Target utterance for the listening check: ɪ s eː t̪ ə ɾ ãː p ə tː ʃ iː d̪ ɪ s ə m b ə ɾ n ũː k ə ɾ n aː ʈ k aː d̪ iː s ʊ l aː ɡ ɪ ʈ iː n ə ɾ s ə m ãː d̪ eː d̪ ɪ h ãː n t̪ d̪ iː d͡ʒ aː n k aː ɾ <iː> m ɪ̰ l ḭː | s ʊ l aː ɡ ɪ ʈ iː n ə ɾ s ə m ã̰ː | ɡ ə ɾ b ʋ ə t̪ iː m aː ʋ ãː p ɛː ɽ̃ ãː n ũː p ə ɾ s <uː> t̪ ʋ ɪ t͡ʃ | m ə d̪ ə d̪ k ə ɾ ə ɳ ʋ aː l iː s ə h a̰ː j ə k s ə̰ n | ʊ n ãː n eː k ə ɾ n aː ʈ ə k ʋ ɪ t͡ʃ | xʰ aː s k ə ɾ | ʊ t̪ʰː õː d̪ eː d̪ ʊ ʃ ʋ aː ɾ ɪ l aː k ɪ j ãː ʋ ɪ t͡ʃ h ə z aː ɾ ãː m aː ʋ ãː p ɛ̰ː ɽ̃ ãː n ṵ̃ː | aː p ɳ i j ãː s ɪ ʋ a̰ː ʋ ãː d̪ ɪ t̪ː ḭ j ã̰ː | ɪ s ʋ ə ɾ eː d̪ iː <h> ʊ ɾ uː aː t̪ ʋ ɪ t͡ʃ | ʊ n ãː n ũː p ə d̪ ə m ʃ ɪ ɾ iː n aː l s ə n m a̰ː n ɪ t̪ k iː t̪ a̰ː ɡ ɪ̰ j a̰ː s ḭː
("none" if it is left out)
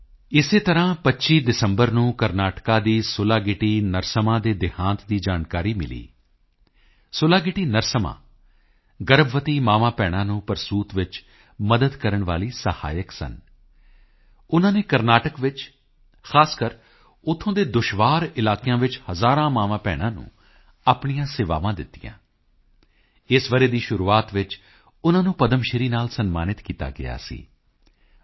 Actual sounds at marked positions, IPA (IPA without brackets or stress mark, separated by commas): iː, uː, ʃ